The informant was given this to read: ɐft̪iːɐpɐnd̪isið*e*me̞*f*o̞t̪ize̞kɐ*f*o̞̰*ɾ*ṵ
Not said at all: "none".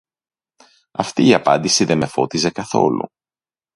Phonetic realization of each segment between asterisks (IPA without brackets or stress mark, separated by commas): e, f, θ, l